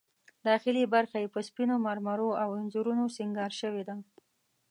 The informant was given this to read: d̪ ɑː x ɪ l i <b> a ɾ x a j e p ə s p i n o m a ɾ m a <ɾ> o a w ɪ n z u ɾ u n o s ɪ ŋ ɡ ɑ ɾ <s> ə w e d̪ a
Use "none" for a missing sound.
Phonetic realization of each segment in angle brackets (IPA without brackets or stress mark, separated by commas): b, ɾ, ʃ